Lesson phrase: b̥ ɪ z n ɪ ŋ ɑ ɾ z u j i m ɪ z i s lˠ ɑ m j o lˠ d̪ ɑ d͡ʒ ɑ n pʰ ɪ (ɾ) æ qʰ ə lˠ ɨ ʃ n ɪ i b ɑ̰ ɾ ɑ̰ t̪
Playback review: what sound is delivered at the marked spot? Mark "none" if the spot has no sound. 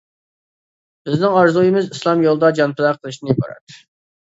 l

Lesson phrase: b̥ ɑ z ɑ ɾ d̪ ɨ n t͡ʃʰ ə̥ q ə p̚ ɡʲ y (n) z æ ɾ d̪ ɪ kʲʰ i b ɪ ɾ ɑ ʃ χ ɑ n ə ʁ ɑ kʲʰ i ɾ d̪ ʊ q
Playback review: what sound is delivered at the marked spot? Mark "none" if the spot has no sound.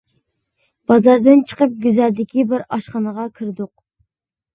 none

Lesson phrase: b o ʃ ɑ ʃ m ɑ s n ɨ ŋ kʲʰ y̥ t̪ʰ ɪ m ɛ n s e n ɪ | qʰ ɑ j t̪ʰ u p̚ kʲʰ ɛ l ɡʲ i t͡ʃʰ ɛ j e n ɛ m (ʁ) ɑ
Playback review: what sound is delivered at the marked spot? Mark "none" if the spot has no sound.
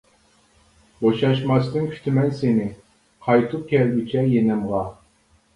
ʁ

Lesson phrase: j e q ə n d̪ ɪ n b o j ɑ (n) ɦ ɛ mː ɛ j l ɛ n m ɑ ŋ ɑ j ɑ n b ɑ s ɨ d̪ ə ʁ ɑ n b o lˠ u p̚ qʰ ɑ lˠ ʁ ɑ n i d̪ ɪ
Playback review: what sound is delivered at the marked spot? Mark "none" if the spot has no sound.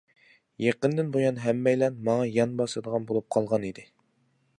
n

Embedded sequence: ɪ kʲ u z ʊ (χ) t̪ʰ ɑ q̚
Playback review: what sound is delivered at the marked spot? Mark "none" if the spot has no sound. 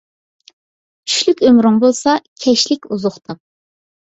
χ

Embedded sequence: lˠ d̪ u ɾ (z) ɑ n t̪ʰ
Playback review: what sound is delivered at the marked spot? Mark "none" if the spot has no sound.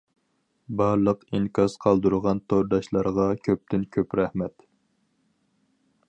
ʁ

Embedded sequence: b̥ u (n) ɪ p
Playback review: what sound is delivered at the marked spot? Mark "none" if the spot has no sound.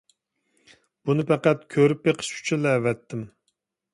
n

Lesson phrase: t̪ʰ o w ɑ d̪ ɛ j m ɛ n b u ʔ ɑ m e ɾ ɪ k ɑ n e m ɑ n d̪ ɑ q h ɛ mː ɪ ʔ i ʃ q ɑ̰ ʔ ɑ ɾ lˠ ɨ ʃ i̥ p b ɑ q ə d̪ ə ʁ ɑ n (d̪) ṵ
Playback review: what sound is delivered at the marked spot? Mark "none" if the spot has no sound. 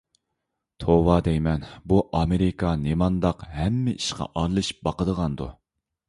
d̪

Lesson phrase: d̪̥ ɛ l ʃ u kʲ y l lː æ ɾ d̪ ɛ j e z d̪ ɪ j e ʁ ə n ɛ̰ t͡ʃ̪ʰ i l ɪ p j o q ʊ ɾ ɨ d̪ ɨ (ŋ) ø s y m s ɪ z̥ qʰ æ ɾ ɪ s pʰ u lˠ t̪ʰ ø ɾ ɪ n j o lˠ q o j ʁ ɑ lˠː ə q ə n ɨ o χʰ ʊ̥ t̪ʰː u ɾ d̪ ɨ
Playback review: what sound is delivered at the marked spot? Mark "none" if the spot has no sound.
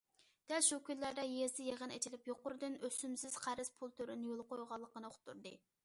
n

